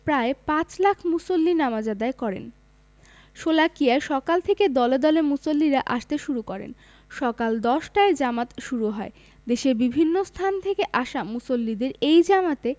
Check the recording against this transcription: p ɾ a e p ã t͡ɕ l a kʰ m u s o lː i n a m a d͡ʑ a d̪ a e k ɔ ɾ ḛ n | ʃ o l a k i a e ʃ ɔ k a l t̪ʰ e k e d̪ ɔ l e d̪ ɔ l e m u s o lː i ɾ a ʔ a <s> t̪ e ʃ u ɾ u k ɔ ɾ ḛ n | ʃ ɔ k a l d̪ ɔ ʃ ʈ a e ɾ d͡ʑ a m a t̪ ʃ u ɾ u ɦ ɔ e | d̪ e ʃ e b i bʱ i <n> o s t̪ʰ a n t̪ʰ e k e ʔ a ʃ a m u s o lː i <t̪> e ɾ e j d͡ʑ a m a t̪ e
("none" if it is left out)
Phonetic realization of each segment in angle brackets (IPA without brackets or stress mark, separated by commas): ʃ, nː, d̪